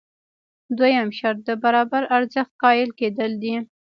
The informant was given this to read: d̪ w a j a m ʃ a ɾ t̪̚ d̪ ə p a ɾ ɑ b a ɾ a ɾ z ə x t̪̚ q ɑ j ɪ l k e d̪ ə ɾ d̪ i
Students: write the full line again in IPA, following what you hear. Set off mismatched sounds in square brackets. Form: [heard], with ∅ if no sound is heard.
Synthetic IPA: d̪ w a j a m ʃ a ɾ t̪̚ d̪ ə [b] a ɾ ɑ b a ɾ a ɾ z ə x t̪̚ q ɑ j ɪ l k e d̪ ə [l] d̪ i